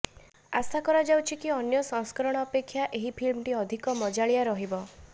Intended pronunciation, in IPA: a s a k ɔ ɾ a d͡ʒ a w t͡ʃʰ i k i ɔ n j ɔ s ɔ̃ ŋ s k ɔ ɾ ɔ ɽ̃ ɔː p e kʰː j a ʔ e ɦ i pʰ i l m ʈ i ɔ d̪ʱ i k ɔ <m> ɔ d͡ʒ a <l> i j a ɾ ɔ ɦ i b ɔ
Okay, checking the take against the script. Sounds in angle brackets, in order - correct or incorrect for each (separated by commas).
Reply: correct, incorrect